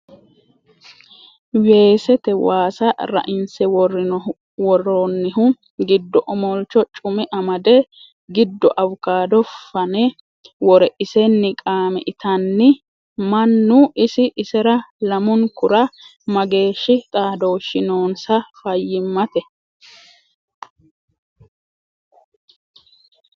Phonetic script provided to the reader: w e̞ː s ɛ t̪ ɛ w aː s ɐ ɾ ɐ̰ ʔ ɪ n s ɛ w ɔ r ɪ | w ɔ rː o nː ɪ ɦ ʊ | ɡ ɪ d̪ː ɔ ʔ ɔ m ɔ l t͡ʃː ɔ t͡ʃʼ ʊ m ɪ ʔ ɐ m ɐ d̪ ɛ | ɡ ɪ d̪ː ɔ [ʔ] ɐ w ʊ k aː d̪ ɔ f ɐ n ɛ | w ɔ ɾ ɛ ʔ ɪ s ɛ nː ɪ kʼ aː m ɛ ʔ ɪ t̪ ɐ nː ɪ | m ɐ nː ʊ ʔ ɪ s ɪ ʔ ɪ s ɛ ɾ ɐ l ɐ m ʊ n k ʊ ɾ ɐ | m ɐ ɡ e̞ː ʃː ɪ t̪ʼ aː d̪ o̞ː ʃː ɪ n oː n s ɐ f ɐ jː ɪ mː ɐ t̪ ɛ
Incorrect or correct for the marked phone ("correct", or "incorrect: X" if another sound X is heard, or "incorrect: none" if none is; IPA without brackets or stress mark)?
correct